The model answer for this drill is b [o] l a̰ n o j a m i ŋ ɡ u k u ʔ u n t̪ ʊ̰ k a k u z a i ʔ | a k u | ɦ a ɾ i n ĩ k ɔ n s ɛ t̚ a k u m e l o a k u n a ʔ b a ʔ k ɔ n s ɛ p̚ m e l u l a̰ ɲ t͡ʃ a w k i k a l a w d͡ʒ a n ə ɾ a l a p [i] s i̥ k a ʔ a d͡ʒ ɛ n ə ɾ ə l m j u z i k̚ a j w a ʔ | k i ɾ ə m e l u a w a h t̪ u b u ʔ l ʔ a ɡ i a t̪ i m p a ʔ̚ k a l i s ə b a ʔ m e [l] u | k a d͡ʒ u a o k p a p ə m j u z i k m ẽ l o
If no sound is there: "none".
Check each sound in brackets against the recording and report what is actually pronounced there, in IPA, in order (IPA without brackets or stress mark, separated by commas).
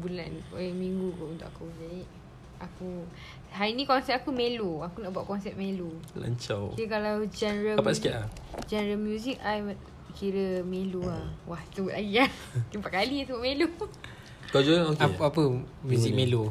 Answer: u, a, l